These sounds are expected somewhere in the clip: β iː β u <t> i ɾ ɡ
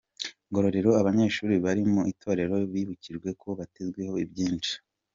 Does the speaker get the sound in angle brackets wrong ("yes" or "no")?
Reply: yes